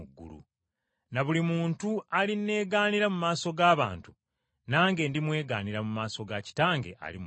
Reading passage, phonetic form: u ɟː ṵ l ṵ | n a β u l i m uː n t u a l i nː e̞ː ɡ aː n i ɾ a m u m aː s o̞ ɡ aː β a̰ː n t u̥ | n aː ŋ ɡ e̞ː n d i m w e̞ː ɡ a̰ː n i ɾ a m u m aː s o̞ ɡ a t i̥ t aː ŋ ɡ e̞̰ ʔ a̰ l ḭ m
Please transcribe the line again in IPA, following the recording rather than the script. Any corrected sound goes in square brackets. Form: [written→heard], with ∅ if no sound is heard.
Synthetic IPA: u [ɟː→ɡː] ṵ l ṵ | n a β u l i m uː n t u a l i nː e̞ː ɡ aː n i ɾ a m u m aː s o̞ ɡ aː β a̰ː n t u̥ | n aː ŋ ɡ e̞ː n d i m w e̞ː ɡ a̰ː n i ɾ a m u m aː s o̞ ɡ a [t→c] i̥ t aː ŋ ɡ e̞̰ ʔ a̰ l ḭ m